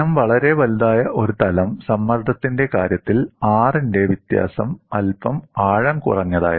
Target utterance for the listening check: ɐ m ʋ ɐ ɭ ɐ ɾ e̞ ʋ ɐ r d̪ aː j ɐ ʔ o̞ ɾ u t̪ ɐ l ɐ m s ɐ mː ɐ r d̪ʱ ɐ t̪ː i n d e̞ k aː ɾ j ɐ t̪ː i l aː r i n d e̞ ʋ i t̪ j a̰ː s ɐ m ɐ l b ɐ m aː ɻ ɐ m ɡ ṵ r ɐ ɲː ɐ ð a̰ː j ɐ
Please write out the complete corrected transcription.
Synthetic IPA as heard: ɐ m ʋ ɐ ɭ ɐ ɾ e̞ ʋ ɐ l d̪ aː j ɐ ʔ o̞ ɾ u t̪ ɐ l ɐ m s ɐ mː ɐ r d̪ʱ ɐ t̪ː i n d e̞ k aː ɾ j ɐ t̪ː i l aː r i n d e̞ ʋ i t̪ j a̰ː s ɐ m ɐ l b ɐ m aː ɻ ɐ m k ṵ r ɐ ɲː ɐ ð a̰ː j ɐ